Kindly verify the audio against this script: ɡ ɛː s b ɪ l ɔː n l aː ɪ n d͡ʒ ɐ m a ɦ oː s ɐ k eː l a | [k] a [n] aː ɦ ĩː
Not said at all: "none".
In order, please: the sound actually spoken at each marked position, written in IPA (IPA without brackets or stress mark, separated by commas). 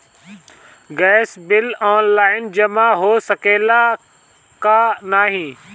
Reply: k, n